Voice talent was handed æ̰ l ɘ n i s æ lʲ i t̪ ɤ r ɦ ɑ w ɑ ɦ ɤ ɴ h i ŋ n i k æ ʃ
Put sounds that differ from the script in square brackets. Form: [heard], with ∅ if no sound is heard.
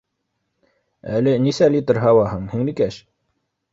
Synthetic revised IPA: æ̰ l ɘ n i s æ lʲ i t̪ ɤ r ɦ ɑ w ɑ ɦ ɤ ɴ h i ŋ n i k æ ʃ

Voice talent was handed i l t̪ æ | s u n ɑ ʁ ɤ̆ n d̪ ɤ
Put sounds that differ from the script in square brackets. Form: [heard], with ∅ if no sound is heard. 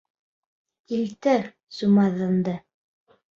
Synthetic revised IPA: i l t̪ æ | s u [m] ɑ [ð] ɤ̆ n d̪ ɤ

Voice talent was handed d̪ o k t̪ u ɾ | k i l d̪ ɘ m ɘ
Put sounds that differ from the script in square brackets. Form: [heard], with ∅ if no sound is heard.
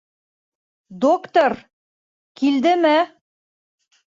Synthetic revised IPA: d̪ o k t̪ [o] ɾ | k i l d̪ ɘ m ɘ

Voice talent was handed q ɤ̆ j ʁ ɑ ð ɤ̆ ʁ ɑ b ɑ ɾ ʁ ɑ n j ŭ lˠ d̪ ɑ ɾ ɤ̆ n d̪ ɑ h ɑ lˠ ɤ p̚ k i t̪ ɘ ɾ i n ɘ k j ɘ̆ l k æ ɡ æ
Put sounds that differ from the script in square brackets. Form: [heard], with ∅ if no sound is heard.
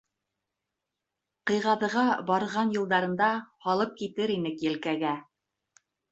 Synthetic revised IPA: q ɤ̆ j ʁ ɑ ð ɤ̆ ʁ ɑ b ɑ ɾ ʁ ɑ n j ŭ lˠ d̪ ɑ ɾ ɤ̆ n d̪ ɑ h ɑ lˠ ɤ p̚ k i t̪ ɘ ɾ i n ɘ k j ɘ̆ l k æ ɡ æ

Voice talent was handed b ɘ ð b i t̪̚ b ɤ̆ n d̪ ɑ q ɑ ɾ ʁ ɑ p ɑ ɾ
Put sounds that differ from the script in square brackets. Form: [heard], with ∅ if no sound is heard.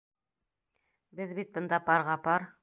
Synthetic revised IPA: b ɘ ð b i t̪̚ b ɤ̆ n d̪ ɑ [p] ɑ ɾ ʁ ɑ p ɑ ɾ

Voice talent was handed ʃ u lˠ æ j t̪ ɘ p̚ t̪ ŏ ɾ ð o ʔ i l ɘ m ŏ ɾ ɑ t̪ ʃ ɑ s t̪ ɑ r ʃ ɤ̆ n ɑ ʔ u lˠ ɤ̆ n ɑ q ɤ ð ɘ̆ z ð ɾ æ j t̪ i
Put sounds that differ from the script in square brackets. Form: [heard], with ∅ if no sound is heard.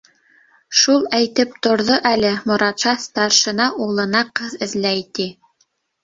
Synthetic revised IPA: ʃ u lˠ æ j t̪ ɘ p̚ t̪ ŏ ɾ ð o ʔ [æ] l ɘ m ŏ ɾ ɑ t̪ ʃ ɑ s t̪ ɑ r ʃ ɤ̆ n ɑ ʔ u lˠ ɤ̆ n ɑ q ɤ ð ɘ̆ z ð [l] æ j t̪ i

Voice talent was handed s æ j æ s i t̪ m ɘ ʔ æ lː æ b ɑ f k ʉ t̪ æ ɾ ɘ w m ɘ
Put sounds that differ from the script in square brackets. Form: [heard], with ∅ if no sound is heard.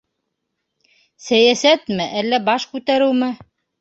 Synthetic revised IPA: s æ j æ s [æ] t̪ m ɘ ʔ æ lː æ b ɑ [ʃ] k ʉ t̪ æ ɾ ɘ w m ɘ

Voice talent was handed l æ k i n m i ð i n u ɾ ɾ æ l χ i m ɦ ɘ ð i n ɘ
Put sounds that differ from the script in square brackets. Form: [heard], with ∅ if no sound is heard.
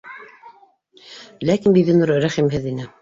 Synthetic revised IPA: l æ k i n [b] i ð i n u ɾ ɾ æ [∅] χ i m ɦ ɘ ð i n ɘ

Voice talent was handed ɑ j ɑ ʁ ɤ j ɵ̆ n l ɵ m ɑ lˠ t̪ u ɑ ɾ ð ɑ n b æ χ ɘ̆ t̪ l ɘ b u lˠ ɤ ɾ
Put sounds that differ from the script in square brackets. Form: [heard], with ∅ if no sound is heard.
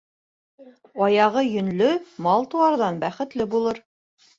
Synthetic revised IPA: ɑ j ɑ ʁ ɤ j ɵ̆ n l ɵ m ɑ lˠ t̪ u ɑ ɾ ð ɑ n b æ χ ɘ̆ t̪ l ɘ b u lˠ ɤ ɾ

